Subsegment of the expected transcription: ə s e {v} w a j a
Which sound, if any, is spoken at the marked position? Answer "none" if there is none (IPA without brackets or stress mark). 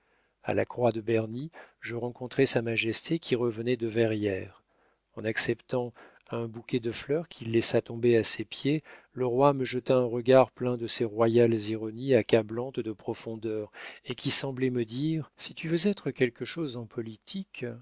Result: ʁ